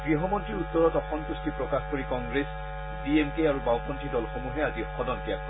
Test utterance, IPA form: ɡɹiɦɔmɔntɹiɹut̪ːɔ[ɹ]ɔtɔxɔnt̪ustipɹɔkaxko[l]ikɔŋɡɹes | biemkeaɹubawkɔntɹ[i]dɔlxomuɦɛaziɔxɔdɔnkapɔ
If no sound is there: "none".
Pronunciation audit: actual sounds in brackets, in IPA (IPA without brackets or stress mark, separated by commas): ɹ, ɹ, i